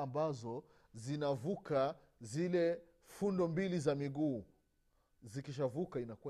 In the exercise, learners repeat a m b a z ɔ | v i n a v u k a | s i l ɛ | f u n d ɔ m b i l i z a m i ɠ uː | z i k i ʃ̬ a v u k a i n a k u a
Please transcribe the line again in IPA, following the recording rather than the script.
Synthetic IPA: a m b a z ɔ | z i n a v u k a | z i l ɛ | f u n d ɔ m b i l i z a m i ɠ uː | z i k i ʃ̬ a v u k a i n a k u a